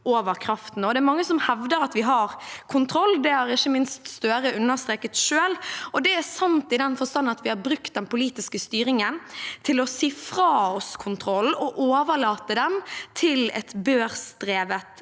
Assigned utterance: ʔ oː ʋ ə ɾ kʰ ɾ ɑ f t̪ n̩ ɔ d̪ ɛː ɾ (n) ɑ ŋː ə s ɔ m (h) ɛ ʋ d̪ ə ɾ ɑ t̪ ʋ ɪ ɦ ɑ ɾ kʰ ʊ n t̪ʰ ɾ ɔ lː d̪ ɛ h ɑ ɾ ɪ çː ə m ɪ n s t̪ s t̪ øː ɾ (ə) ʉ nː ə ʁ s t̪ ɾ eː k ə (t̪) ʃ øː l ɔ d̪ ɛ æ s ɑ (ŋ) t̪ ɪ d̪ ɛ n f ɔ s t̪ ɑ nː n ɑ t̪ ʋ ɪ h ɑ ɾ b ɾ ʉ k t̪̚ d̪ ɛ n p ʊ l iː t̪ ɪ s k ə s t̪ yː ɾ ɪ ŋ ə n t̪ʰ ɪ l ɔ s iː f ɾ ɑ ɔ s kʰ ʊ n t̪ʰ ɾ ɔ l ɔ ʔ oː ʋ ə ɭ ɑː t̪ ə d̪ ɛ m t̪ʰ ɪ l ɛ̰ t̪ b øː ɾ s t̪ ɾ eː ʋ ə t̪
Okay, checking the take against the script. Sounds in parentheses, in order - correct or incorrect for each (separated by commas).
incorrect, correct, correct, correct, incorrect